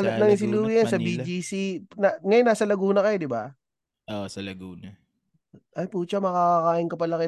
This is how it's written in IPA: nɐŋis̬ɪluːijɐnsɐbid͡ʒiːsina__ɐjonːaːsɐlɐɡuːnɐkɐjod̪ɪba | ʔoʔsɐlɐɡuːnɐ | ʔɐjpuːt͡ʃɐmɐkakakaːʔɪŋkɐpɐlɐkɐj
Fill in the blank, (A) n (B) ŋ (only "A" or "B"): B